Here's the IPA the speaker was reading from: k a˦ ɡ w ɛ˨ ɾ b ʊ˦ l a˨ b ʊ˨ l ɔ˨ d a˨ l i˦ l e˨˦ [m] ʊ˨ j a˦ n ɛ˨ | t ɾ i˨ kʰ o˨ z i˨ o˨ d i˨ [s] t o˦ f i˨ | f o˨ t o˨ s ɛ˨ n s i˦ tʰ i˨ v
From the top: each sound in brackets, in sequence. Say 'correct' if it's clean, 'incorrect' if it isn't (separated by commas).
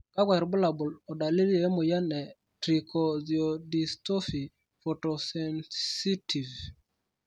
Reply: correct, correct